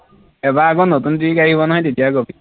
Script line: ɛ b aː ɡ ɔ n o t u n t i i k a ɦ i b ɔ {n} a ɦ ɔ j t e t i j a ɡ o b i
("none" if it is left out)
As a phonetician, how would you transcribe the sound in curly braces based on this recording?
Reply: n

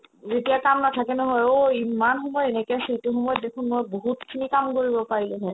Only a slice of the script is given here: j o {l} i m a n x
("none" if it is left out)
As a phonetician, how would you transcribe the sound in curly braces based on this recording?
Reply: none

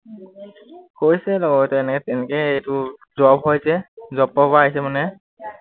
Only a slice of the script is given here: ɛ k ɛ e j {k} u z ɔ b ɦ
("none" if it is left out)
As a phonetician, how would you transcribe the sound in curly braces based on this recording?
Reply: t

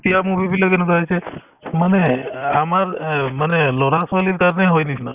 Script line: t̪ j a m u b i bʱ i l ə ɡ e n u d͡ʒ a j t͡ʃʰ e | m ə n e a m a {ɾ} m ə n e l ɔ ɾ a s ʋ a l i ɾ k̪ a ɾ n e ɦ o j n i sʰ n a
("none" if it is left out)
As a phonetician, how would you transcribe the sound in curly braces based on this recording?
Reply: ɾ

